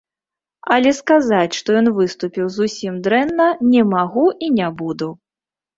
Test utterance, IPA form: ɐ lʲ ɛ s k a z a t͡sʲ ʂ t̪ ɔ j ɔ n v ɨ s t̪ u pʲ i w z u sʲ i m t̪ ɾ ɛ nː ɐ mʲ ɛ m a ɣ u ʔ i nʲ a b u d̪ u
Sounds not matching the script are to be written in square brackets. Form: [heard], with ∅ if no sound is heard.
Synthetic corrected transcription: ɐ lʲ ɛ s k a z a t͡sʲ ʂ t̪ ɔ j ɔ n v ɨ s t̪ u pʲ i w z u sʲ i m [d̪] ɾ ɛ nː ɐ [nʲ] ɛ m a ɣ u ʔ i nʲ a b u d̪ u